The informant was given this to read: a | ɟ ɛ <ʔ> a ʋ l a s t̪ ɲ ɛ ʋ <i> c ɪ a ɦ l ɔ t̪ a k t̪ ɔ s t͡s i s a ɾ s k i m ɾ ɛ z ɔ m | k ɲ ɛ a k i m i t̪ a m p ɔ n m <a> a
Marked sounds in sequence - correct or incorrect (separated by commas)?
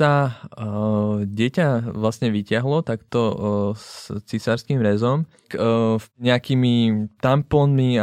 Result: incorrect, correct, incorrect